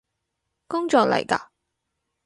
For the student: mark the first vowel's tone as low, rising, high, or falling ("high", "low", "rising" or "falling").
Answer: high